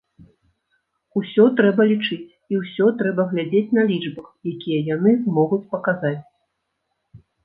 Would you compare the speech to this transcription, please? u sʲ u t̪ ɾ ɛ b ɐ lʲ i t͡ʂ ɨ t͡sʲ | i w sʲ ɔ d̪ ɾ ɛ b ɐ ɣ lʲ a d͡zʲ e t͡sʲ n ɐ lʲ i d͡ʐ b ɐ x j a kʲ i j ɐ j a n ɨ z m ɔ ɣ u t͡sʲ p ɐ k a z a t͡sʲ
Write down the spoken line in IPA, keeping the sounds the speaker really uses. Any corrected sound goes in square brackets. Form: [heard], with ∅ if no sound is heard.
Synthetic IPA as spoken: u sʲ [ɔ] t̪ ɾ ɛ b ɐ lʲ i t͡ʂ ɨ t͡sʲ | i w sʲ ɔ [t̪] ɾ ɛ b ɐ ɣ lʲ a d͡zʲ e t͡sʲ n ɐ lʲ i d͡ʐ b ɐ x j a kʲ i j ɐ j a n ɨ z m ɔ ɣ u t͡sʲ p ɐ k a z a t͡sʲ